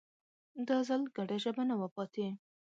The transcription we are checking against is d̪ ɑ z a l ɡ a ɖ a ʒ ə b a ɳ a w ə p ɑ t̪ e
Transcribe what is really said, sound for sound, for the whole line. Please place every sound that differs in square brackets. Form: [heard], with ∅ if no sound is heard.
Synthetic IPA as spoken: d̪ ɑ z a l ɡ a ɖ a ʒ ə b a [n] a w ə p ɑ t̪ e

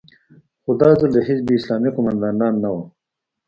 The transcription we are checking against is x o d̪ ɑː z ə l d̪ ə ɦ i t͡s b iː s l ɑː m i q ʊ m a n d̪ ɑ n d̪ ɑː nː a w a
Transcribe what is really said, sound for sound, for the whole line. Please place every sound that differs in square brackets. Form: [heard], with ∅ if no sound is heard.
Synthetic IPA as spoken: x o d̪ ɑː z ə l d̪ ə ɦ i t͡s b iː s l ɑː m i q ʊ m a n d̪ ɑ n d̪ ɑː nː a w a

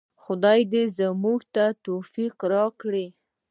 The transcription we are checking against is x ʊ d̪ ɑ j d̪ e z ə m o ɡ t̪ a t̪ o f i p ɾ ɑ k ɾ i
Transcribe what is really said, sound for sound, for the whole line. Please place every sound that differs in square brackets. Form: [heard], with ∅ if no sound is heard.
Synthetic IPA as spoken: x ʊ d̪ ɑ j d̪ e z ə m [u] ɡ t̪ a t̪ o f i [q] ɾ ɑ k [ɽ] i

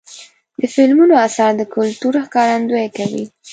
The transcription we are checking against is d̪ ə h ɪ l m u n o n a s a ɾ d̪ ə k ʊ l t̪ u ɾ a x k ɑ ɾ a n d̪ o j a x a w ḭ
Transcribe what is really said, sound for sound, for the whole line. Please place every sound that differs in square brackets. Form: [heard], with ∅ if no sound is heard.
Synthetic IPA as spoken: d̪ ə [f] ɪ l m u n o [∅] a s [ɑ] ɾ d̪ ə k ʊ l t̪ u ɾ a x k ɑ ɾ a n d̪ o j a [k] a w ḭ

